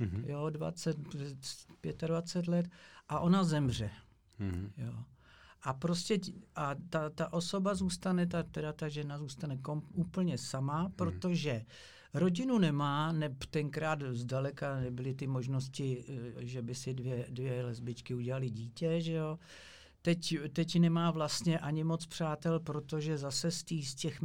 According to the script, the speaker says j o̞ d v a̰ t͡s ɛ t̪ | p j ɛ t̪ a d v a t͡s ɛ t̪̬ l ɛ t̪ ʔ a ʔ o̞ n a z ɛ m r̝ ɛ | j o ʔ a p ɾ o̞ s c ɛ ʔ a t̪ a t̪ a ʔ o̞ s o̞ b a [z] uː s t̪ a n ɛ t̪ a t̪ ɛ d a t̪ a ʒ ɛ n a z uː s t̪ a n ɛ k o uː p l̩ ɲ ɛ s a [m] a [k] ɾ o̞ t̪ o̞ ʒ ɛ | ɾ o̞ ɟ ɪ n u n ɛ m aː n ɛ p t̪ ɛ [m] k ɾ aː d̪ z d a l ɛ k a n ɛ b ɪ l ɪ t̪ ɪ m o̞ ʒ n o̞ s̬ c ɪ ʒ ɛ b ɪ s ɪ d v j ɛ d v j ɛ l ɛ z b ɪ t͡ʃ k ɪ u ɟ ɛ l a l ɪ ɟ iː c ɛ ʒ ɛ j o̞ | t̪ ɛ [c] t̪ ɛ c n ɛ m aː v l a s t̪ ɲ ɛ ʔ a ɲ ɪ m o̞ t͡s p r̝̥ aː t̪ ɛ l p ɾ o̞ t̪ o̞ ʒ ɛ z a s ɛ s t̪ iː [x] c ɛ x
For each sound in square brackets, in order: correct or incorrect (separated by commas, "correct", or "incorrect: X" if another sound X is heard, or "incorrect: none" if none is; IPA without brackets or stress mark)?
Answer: correct, correct, incorrect: p, incorrect: ŋ, correct, incorrect: s